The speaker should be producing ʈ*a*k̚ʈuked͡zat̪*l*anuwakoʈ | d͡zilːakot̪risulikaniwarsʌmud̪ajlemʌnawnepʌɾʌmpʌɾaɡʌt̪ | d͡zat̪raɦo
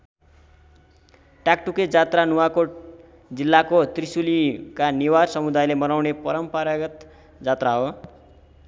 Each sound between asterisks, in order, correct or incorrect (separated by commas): correct, incorrect